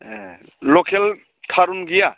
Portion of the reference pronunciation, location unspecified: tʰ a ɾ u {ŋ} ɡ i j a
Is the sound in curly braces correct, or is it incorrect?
incorrect